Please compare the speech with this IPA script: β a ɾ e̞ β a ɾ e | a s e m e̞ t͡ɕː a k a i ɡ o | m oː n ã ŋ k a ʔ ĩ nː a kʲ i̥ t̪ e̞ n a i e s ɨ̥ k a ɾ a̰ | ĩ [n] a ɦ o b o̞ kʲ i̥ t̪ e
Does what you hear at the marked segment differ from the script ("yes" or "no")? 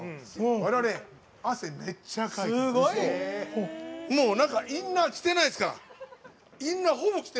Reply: yes